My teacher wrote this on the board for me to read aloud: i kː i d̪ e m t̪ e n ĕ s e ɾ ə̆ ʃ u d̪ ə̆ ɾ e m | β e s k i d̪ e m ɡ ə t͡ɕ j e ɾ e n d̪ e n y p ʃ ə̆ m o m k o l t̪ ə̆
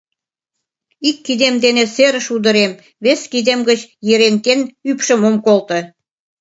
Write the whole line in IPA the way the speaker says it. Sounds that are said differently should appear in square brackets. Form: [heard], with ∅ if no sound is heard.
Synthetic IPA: i kː i d̪ e m [d̪] e n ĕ s e ɾ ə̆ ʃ u d̪ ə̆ ɾ e m | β e s k i d̪ e m ɡ ə t͡ɕ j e ɾ e n [t̪] e n y p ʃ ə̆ m o m k o l t̪ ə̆